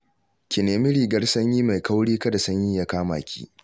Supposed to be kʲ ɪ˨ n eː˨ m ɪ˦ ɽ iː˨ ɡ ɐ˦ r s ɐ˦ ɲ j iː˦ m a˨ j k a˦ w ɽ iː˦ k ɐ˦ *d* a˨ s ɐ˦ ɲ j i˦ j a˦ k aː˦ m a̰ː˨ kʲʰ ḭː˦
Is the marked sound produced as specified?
yes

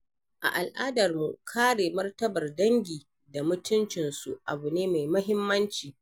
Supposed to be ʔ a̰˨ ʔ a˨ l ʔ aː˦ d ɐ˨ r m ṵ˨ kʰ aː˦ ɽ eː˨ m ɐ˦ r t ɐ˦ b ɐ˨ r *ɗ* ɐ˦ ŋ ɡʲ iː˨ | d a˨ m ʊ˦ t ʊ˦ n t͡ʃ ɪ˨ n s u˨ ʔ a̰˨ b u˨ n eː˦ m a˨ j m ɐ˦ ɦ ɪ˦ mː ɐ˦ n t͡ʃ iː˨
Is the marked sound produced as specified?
no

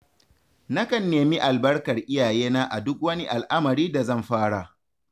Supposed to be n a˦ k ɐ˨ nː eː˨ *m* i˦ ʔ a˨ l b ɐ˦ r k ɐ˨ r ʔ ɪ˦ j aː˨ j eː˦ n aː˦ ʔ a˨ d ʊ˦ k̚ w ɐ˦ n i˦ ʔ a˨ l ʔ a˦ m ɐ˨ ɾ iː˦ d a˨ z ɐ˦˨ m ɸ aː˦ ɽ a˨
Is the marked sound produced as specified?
yes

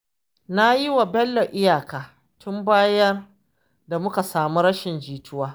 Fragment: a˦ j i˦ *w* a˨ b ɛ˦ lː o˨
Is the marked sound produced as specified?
yes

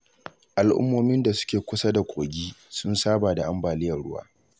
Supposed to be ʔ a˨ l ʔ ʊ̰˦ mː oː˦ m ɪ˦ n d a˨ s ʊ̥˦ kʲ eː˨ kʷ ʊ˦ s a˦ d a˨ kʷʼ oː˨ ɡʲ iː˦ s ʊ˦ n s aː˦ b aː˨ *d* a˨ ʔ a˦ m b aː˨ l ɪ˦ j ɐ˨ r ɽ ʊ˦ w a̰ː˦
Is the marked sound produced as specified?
yes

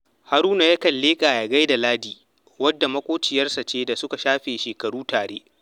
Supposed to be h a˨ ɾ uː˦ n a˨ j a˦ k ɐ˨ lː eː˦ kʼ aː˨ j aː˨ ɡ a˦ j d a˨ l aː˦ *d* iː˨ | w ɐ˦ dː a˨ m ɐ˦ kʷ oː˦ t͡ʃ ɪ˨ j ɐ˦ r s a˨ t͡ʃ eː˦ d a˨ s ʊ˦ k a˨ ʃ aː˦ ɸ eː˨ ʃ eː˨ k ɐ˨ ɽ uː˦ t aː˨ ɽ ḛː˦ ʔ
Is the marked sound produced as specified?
yes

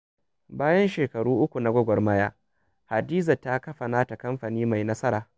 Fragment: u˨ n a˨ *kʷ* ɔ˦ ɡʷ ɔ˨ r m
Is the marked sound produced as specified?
no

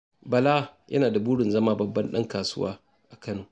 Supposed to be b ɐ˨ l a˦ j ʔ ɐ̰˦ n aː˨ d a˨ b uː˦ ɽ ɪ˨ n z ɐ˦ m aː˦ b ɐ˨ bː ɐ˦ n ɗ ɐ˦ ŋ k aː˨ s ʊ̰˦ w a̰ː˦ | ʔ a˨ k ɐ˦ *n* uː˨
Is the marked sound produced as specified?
yes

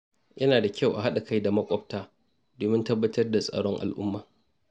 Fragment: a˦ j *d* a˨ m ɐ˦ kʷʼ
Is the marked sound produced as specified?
yes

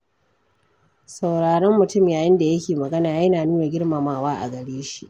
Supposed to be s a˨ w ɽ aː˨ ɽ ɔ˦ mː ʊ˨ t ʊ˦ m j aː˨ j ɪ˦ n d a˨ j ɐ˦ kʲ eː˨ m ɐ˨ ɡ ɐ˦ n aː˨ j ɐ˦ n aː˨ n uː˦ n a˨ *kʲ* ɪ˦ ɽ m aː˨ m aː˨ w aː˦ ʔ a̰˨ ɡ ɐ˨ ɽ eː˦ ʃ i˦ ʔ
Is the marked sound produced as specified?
no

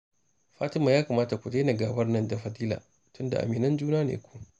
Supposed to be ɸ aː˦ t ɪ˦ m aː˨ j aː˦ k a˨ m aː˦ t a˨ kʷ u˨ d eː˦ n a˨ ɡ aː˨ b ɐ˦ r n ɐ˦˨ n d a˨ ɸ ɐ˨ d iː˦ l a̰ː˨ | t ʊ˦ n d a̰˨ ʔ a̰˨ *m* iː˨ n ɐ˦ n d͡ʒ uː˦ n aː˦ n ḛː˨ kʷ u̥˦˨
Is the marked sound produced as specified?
yes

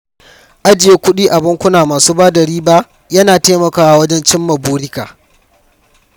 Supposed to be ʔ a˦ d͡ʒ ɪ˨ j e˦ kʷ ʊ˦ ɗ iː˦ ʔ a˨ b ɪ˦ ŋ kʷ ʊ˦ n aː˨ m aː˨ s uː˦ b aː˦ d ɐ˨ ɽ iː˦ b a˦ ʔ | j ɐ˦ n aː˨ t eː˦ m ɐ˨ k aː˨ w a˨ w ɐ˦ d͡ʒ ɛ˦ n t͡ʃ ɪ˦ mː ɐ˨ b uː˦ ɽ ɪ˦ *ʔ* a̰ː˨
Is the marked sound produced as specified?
no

